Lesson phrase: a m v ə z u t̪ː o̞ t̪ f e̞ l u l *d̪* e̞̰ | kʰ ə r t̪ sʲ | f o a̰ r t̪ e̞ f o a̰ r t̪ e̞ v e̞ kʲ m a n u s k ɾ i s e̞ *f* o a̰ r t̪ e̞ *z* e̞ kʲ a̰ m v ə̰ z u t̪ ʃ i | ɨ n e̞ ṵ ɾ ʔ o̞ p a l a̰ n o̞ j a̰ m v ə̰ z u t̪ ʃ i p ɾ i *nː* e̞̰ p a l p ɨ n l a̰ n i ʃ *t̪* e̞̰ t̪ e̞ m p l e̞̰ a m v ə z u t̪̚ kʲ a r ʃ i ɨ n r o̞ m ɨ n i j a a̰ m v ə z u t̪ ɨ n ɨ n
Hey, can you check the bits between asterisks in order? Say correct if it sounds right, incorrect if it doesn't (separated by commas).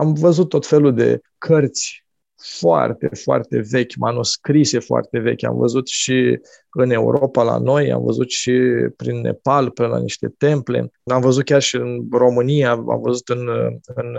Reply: correct, correct, incorrect, correct, correct